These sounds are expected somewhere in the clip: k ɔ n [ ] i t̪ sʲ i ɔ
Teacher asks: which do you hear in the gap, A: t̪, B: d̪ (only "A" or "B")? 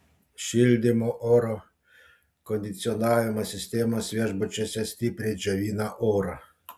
B